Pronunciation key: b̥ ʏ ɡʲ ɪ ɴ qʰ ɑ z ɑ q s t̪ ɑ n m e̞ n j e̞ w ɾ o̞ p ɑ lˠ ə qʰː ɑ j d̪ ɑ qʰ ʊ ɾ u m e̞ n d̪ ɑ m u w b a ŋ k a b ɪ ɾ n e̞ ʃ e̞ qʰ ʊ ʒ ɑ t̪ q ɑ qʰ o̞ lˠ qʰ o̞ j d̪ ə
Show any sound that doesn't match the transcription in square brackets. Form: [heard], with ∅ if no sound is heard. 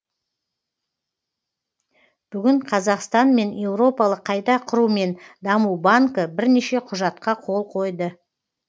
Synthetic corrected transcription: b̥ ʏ ɡʲ ɪ ɴ qʰ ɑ z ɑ q s t̪ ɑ n m e̞ n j e̞ w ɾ o̞ p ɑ lˠ ə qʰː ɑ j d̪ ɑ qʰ ʊ ɾ u m e̞ n d̪ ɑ m u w b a ŋ k [ə] b ɪ ɾ n e̞ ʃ e̞ qʰ ʊ ʒ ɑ t̪ q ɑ qʰ o̞ lˠ qʰ o̞ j d̪ ə